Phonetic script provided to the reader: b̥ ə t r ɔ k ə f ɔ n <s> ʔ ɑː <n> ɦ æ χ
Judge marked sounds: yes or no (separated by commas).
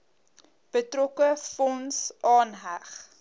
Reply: yes, yes